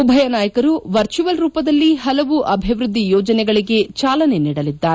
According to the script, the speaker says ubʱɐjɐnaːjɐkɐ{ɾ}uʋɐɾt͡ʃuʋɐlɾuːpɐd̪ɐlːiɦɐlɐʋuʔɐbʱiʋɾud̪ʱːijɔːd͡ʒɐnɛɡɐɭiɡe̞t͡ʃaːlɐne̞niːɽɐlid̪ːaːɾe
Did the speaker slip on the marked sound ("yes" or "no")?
no